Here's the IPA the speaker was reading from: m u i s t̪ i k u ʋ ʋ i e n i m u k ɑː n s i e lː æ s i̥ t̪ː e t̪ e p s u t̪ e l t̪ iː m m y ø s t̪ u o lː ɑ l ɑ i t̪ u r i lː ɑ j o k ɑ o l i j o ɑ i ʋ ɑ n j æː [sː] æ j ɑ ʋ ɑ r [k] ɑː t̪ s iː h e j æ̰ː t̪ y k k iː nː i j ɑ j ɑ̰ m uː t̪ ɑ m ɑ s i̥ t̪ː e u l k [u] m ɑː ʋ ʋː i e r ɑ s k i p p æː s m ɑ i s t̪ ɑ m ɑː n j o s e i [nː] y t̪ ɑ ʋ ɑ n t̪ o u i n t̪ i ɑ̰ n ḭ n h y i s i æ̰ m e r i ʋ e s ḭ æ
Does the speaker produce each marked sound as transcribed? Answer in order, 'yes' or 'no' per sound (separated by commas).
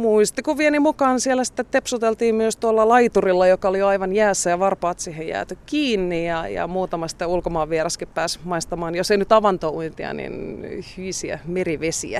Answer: yes, no, no, no